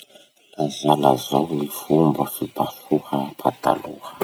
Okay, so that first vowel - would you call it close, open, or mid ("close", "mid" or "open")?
open